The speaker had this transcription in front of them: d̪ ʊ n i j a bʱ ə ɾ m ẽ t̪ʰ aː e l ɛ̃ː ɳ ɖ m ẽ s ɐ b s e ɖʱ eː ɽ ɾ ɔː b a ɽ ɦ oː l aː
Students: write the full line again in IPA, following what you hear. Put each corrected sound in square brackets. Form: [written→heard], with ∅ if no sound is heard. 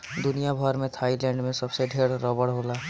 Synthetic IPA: d̪ ʊ n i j a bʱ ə ɾ m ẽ t̪ʰ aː [e→i] l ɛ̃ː ɳ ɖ m ẽ s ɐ b s e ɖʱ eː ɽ ɾ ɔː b [a→ə] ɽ ɦ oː l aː